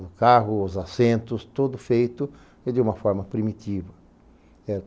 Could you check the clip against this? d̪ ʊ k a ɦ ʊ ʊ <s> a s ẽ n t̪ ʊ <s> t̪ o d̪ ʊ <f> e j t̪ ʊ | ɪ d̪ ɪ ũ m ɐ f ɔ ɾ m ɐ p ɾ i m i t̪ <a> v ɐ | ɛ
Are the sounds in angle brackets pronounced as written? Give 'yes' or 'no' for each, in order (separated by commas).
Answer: no, yes, yes, no